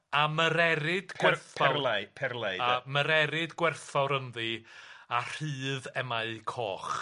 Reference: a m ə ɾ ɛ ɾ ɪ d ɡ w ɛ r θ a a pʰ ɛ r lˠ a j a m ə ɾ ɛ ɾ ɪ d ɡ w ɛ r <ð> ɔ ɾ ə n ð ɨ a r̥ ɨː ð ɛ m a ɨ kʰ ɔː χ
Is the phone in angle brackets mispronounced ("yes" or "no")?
yes